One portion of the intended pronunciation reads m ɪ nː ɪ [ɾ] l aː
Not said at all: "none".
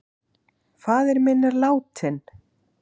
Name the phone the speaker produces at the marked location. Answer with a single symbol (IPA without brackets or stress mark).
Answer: ɾ